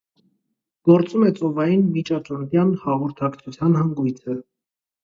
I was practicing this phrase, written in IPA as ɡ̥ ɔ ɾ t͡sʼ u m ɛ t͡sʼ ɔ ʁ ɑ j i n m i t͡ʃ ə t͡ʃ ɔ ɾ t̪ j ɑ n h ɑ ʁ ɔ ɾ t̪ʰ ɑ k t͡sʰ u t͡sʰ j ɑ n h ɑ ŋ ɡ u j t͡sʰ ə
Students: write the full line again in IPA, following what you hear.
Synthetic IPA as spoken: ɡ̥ ɔ ɾ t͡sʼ u m ɛ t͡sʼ ɔ v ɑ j i n m i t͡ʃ ɑ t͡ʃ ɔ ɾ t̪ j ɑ n h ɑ ʁ ɔ ɾ t̪ʰ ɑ k t͡sʰ u t͡sʰ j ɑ n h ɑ ŋ ɡ u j t͡sʰ ə